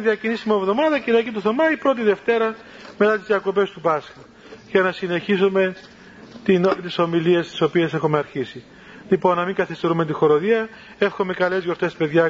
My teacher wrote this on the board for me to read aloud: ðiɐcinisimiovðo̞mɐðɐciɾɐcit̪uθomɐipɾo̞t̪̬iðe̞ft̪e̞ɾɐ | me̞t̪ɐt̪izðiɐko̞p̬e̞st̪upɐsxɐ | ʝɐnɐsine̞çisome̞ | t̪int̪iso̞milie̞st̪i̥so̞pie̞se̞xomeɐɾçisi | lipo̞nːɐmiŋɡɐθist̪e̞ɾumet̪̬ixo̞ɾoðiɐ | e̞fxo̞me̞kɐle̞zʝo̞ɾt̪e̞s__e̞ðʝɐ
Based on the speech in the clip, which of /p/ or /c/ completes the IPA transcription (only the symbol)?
p